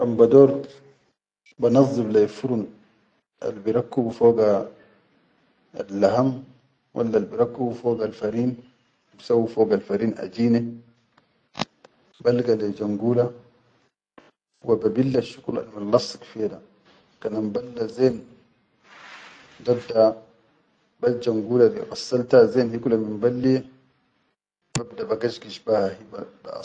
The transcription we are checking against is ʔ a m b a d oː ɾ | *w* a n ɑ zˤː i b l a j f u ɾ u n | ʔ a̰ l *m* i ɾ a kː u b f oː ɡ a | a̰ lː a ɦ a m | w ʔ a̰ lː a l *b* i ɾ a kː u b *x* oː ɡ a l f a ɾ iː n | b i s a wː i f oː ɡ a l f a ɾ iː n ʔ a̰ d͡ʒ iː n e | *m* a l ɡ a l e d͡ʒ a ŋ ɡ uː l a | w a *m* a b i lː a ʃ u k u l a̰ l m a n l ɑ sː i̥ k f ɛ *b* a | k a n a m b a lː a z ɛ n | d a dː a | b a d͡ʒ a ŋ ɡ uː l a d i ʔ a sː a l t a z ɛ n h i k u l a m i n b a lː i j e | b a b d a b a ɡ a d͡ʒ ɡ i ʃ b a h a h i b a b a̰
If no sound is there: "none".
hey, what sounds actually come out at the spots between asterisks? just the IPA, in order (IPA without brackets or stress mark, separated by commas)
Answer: b, b, b, f, b, b, d